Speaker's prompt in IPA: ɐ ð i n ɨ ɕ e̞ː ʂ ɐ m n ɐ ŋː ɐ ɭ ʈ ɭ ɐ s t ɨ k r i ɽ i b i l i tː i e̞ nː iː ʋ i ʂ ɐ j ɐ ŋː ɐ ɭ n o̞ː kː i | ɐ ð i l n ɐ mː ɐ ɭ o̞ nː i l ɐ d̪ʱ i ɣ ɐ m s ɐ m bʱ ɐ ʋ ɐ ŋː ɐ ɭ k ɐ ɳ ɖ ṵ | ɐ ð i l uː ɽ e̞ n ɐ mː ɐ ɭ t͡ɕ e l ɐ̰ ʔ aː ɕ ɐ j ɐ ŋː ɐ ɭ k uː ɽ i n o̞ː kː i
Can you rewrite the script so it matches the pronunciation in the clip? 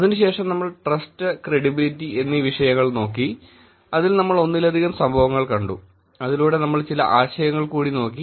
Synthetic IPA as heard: ɐ ð i n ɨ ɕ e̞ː ʂ ɐ m n ɐ mː ɐ ɭ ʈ r ɐ s t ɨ k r e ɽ i b i l i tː i e̞ nː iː ʋ i ʂ ɐ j ɐ ŋː ɐ ɭ n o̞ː kː i | ɐ ð i l n ɐ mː ɐ ɭ o̞ nː i l ɐ d̪ʱ i ɣ ɐ m s ɐ m bʱ ɐ ʋ ɐ ŋː ɐ ɭ k ɐ ɳ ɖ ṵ | ɐ ð i l uː ɽ e̞ n ɐ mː ɐ ɭ t͡ɕ i l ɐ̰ ʔ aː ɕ ɐ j ɐ ŋː ɐ ɭ k uː ɽ i n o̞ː kː i